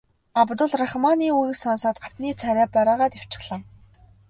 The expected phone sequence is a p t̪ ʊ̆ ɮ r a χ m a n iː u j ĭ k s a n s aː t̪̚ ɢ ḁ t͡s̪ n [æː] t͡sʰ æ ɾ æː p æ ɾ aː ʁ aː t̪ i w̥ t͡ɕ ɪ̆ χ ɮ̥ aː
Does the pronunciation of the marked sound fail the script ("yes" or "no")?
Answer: yes